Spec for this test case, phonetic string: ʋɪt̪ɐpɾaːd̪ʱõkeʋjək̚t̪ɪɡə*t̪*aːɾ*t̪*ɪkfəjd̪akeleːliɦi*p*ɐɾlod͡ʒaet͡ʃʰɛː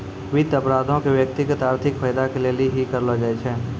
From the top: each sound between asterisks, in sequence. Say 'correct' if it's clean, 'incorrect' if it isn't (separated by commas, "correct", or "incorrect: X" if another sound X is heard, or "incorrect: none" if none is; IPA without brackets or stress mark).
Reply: correct, incorrect: t̪ʰ, incorrect: k